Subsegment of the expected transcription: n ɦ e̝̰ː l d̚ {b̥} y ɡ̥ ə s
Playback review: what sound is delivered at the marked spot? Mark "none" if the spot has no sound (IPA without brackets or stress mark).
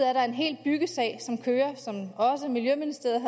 b̥